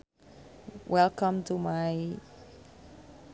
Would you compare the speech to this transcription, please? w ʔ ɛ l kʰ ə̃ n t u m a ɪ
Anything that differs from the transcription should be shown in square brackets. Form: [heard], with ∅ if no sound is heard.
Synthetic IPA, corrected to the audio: w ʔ ɛ l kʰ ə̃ [m] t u m a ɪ